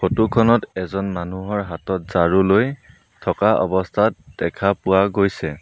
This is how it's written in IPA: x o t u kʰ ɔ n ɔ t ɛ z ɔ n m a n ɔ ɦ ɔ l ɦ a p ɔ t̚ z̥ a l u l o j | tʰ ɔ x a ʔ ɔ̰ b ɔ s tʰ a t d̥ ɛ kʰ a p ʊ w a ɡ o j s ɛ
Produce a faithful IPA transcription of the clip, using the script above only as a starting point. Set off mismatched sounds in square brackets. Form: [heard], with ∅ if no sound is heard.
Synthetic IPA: x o t u kʰ ɔ n ɔ t ɛ z ɔ n m a n [u] ɦ ɔ [ɹ] ɦ a [t] ɔ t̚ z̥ a [ɹ] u l o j | tʰ ɔ [k] a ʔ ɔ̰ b ɔ s tʰ a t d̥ ɛ kʰ a p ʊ w a ɡ o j s ɛ